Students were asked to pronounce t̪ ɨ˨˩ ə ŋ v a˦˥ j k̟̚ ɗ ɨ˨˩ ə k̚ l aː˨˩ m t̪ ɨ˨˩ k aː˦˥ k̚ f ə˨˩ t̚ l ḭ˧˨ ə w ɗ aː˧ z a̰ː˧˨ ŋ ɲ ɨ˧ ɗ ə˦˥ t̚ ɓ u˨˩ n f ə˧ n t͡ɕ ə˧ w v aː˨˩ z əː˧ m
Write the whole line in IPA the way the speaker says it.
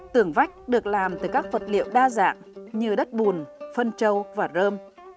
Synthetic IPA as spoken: t̪ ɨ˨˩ ə ŋ v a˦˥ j k̟̚ ɗ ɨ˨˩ ə k̚ l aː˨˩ m t̪ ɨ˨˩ k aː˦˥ k̚ v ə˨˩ t̚ l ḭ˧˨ ə w ɗ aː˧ z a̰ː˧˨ ŋ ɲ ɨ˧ ɗ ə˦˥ t̚ ɓ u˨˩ n f ə˧ n t͡ɕ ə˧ w v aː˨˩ z əː˧ m